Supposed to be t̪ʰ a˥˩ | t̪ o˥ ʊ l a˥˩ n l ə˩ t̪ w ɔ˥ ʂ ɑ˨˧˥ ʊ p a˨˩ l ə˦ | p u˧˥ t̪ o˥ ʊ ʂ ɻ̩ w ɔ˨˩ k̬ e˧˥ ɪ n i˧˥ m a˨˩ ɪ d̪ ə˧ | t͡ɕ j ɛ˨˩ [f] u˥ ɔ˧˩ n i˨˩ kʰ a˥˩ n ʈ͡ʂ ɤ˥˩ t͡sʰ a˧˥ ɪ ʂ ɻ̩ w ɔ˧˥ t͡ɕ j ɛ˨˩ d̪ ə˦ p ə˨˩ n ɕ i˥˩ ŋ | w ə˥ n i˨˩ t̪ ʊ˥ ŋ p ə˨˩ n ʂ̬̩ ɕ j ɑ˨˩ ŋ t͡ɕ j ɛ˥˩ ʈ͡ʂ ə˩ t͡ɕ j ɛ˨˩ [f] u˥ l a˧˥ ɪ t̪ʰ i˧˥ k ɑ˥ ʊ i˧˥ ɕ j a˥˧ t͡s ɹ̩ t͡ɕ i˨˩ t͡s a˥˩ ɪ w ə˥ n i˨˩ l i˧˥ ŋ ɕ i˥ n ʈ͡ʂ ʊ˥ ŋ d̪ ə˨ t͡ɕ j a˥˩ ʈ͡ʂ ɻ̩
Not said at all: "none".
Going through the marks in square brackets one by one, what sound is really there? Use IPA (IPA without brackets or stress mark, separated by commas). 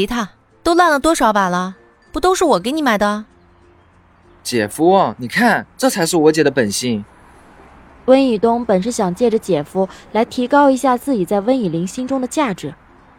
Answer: f, f